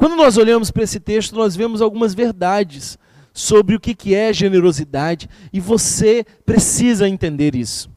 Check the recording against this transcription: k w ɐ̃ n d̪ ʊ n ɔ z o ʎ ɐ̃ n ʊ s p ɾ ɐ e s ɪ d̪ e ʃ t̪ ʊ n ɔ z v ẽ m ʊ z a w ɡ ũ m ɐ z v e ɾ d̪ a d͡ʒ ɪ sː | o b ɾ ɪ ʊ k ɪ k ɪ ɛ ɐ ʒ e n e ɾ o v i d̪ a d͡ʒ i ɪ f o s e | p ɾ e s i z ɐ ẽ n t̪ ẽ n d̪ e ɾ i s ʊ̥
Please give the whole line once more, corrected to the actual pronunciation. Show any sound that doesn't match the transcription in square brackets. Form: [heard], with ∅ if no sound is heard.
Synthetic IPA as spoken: k w ɐ̃ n d̪ ʊ n ɔ z o ʎ ɐ̃ [m] ʊ s p ɾ ɐ e s ɪ [t̪] e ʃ t̪ ʊ n ɔ z v ẽ m ʊ z a w ɡ ũ m ɐ z v e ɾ d̪ a d͡ʒ ɪ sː | o b ɾ ɪ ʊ k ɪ k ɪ ɛ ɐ ʒ e n e ɾ o [z] i d̪ a d͡ʒ [ɪ] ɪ [v] o s e | p ɾ e s i z ɐ ẽ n t̪ ẽ n d̪ e ɾ i s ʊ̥